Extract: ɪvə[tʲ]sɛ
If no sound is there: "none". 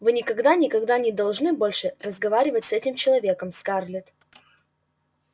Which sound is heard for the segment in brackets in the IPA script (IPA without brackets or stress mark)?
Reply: tʲ